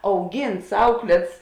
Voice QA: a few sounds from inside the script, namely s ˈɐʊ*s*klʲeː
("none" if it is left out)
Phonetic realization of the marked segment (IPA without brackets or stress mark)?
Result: none